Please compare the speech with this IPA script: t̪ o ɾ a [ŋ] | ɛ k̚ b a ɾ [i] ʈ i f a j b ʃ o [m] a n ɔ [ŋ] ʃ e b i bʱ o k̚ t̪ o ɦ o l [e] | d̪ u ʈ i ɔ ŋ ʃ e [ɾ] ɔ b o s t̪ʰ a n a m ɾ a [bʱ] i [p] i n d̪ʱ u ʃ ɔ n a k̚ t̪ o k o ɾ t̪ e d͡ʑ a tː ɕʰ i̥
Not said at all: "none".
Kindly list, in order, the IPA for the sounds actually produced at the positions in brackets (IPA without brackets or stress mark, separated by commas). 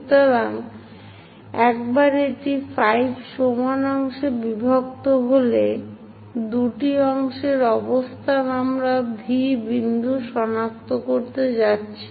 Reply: ŋ, e, m, ŋ, e, ɾ, bʱ, b